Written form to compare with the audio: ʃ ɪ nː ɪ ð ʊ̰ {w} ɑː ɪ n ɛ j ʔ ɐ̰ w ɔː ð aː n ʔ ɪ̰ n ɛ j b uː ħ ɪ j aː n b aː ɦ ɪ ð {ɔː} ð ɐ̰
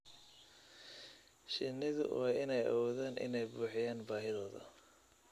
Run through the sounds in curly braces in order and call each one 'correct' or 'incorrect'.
correct, correct

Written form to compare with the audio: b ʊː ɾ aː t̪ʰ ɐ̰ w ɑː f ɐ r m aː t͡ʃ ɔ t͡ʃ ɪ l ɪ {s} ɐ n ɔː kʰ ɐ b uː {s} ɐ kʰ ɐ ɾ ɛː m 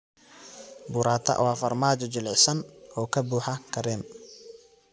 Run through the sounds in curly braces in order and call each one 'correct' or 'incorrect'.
correct, incorrect: ħ

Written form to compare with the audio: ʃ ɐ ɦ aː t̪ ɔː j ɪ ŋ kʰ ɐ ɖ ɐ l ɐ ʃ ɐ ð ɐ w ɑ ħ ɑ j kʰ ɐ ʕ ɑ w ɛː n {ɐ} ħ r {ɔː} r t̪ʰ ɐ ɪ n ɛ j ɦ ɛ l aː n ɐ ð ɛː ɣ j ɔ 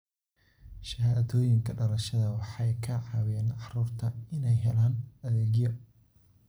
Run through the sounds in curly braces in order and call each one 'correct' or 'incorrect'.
incorrect: ɑ, incorrect: uː

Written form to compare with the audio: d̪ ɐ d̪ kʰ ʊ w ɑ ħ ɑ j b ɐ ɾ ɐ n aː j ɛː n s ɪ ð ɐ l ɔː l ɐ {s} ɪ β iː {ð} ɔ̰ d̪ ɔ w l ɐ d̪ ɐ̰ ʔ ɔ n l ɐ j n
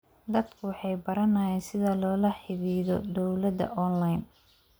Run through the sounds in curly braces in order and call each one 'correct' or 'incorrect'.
incorrect: ħ, correct

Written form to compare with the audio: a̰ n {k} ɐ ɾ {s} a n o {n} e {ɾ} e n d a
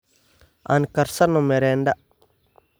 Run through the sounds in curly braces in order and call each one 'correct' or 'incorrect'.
correct, correct, incorrect: m, correct

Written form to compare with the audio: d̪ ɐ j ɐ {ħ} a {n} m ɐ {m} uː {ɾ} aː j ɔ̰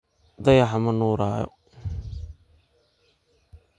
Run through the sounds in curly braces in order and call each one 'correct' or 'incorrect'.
correct, incorrect: none, incorrect: n, correct

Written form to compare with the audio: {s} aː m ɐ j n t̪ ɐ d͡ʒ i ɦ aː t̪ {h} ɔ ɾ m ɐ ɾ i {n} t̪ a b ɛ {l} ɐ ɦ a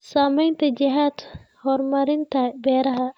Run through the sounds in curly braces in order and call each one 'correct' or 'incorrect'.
correct, correct, correct, incorrect: ɾ

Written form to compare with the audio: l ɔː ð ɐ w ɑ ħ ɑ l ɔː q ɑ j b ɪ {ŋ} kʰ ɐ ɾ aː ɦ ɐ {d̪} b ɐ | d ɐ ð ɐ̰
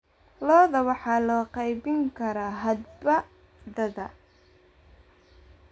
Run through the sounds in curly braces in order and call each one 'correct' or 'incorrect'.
correct, correct

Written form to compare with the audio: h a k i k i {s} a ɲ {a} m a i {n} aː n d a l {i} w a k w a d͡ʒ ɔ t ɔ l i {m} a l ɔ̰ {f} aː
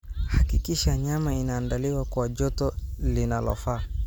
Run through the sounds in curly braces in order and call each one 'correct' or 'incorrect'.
incorrect: ʃ, correct, correct, correct, incorrect: n, correct

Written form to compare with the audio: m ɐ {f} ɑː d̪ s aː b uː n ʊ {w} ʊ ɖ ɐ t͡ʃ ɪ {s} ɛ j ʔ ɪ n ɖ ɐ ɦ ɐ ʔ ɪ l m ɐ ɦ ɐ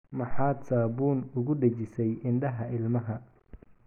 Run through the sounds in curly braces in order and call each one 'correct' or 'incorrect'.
incorrect: ħ, incorrect: ɣ, correct

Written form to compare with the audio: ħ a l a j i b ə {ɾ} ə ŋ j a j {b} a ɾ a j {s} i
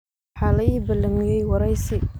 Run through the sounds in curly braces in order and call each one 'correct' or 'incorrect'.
incorrect: l, incorrect: w, correct

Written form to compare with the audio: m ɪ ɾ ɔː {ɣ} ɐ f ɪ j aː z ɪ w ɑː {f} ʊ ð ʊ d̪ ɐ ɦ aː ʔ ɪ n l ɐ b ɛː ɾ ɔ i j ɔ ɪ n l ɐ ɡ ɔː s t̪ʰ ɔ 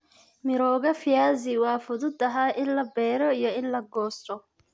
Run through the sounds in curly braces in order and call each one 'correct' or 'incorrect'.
correct, correct

